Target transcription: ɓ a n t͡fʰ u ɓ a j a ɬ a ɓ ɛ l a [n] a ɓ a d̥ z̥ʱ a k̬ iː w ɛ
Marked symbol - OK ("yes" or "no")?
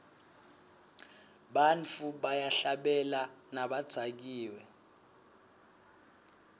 yes